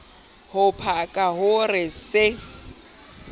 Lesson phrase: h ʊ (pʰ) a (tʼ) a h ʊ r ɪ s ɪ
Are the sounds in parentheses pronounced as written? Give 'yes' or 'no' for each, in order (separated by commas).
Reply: yes, no